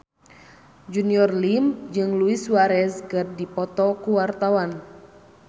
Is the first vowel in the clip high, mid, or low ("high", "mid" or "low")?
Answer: high